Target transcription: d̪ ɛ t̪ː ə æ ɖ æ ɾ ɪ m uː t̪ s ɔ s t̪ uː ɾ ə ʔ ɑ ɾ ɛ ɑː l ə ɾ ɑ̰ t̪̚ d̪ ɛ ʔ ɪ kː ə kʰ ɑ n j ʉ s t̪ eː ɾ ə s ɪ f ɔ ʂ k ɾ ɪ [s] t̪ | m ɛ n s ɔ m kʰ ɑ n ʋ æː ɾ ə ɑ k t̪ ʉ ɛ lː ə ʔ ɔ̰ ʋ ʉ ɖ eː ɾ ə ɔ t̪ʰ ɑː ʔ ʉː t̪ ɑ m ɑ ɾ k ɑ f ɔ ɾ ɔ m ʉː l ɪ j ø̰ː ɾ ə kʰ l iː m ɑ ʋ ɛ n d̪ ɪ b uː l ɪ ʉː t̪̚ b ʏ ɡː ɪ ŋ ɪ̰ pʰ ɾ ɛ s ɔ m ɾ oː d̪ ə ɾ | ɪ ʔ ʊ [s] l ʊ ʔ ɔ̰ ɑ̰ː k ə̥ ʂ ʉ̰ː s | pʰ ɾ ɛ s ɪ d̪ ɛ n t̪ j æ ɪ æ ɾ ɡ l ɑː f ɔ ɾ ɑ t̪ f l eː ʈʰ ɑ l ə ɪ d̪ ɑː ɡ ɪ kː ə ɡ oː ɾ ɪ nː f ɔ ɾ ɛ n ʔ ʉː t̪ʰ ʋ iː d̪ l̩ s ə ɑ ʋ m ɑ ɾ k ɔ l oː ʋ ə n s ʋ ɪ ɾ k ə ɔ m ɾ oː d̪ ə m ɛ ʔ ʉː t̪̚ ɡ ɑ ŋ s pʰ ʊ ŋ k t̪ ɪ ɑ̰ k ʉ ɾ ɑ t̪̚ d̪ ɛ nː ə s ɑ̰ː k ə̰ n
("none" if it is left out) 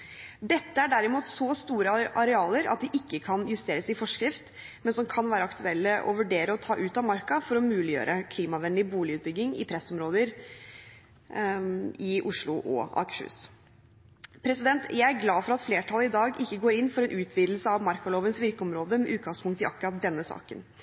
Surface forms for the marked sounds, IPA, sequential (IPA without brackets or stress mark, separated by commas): f, ʂ